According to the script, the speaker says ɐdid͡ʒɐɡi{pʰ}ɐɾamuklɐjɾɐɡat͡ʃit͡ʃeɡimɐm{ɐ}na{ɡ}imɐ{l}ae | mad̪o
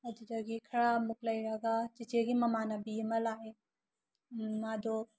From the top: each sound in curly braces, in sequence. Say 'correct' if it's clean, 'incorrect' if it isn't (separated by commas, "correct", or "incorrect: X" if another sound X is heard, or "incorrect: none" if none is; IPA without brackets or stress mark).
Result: incorrect: kʰ, incorrect: a, incorrect: b, correct